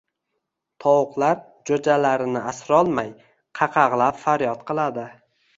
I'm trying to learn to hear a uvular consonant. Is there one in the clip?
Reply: yes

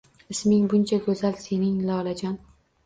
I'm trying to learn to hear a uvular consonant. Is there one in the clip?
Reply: no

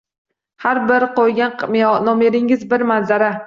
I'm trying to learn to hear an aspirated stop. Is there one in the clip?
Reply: no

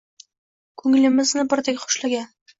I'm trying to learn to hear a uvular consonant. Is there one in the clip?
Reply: yes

